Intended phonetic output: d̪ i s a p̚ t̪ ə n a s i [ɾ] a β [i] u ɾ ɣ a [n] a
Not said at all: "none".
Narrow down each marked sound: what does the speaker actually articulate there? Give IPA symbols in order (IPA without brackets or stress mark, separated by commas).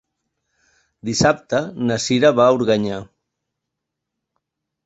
ɾ, a, ɲ